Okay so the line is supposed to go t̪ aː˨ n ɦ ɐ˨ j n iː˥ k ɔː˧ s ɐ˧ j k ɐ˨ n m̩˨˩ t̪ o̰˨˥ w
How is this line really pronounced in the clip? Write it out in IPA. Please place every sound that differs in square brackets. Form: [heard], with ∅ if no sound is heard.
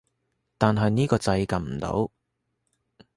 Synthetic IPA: t̪ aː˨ n ɦ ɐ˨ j n iː˥ k ɔː˧ [t͡s] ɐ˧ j k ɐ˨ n m̩˨˩ t̪ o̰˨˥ w